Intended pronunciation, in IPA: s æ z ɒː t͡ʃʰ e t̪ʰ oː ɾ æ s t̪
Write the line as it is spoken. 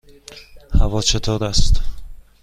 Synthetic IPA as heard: h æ v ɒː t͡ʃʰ e t̪ʰ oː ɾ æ s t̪